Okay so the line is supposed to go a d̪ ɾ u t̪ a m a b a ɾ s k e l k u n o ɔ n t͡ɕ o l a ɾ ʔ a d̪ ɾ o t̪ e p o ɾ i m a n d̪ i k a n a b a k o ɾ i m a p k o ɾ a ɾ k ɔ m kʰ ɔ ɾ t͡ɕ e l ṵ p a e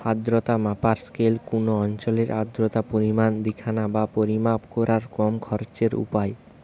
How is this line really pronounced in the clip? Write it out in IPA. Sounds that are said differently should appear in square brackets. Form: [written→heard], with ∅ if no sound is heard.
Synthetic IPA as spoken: a d̪ ɾ [u→o] t̪ a m a [b→p] a ɾ s k e l k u n o ɔ n t͡ɕ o l [a→e] ɾ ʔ a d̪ ɾ o t̪ [e→a] p o ɾ i m a n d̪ i [k→kʰ] a n a b a [k→p] o ɾ i m a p k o ɾ a ɾ k ɔ m kʰ ɔ ɾ t͡ɕ e [l→ɾ] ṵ p a e